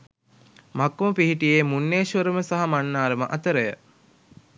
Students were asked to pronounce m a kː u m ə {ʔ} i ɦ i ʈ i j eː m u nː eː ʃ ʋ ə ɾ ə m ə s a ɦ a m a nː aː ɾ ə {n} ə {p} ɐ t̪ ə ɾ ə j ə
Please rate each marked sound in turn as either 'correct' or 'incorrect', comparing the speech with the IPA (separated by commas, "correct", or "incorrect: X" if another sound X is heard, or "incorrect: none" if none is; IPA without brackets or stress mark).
incorrect: p, incorrect: m, incorrect: ʔ